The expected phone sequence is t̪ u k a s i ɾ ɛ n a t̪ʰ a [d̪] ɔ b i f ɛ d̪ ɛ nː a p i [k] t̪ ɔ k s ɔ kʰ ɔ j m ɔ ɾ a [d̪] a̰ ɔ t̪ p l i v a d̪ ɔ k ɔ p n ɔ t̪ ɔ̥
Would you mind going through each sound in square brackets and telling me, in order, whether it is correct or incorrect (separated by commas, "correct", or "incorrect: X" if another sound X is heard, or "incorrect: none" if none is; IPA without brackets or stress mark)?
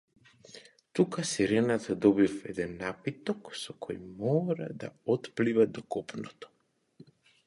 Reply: correct, incorrect: none, correct